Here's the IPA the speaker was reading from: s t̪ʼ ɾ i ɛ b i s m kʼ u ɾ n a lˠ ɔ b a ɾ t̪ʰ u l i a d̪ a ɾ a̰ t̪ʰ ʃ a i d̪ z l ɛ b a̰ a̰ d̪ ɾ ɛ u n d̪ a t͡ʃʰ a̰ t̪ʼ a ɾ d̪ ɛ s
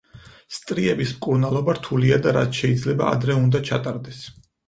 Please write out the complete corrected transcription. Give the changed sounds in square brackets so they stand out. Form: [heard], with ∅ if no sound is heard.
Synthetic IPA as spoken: s t̪ʼ ɾ i ɛ b i s m kʼ u ɾ n a lˠ ɔ b a ɾ t̪ʰ u l i a d̪ a ɾ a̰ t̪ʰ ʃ [ɛ] i d̪ z l ɛ b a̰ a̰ d̪ ɾ ɛ u n d̪ a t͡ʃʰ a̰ t̪ʼ a ɾ d̪ ɛ s